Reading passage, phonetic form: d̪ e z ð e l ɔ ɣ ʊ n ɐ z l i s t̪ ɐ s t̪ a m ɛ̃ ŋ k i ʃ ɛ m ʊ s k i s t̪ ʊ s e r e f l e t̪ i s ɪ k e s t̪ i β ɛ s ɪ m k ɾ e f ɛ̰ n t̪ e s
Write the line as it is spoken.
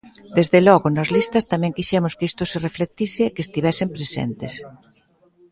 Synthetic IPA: d̪ e z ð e l ɔ ɣ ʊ n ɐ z l i s t̪ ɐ s t̪ a m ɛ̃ ŋ k i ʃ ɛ m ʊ s k i s t̪ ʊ s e r e f l e t̪ i s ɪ k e s t̪ i β ɛ s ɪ m p ɾ e s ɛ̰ n t̪ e s